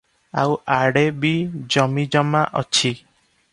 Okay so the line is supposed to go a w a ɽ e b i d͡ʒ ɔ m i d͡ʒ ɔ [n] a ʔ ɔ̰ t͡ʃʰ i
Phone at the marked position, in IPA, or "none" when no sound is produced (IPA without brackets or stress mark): m